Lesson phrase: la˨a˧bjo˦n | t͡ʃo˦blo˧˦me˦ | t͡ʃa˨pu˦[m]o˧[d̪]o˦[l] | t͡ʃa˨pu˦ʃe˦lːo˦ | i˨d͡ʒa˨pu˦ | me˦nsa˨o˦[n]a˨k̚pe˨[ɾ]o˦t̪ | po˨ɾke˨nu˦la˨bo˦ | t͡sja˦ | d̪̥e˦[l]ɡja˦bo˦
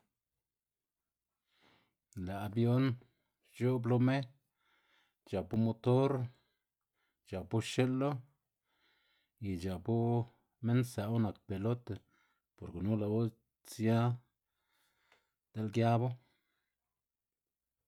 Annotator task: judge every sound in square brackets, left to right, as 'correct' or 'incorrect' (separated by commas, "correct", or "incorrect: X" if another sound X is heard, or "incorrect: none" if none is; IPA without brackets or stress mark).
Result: correct, incorrect: t̪, incorrect: ɾ, correct, incorrect: l, correct